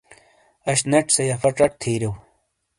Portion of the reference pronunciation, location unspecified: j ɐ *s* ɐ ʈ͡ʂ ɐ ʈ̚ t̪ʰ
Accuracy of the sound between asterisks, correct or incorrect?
incorrect